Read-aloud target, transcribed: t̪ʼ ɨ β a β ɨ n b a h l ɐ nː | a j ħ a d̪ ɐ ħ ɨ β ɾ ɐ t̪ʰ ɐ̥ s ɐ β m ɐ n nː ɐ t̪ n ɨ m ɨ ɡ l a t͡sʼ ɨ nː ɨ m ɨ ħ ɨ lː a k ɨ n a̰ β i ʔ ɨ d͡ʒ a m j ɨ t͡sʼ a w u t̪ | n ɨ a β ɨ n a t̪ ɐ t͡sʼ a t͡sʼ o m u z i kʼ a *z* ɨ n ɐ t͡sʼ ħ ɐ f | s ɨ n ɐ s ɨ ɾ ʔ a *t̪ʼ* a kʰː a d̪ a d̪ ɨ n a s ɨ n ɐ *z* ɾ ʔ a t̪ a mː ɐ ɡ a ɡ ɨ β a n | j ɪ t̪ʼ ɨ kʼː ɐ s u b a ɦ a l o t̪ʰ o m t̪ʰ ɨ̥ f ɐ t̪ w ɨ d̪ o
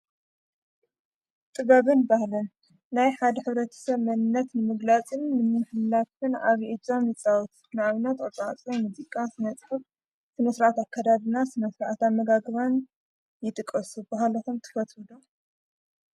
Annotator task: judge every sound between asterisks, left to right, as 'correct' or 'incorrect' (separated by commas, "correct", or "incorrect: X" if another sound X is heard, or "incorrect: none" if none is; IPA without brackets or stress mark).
incorrect: s, incorrect: t̪, incorrect: s